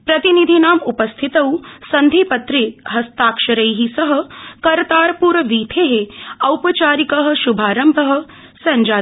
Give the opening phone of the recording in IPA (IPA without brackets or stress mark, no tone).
p